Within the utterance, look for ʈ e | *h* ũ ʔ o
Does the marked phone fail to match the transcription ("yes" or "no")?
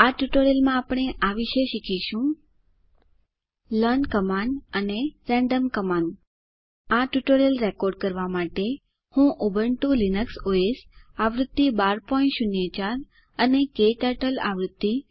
no